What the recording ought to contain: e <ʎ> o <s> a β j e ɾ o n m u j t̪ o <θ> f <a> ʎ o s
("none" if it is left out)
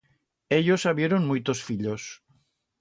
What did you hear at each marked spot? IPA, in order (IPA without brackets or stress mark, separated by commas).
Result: ʎ, s, s, i